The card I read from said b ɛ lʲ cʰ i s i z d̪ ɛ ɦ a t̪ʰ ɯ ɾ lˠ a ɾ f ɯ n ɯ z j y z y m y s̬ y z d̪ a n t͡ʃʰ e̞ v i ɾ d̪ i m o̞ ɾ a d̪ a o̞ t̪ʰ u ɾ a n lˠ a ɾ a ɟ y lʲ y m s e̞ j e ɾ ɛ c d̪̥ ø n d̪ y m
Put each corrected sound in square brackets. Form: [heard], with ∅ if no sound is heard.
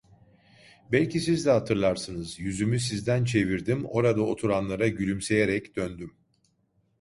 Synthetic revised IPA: b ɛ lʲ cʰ i s i z d̪ ɛ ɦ a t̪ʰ ɯ ɾ lˠ a ɾ [s] ɯ n ɯ z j y z y m y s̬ [i] z d̪ [æ] n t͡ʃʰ e̞ v i ɾ d̪ i m o̞ ɾ a d̪ a o̞ t̪ʰ u ɾ a n lˠ a ɾ a ɟ y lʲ y m s e̞ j e ɾ ɛ c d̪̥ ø n d̪ y m